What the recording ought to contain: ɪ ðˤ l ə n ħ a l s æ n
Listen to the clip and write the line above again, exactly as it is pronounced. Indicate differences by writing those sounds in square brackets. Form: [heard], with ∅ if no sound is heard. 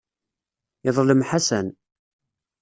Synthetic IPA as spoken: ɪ ðˤ l ə [m] ħ a [∅] s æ n